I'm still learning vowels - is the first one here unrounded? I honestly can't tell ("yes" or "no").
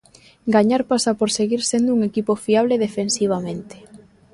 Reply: yes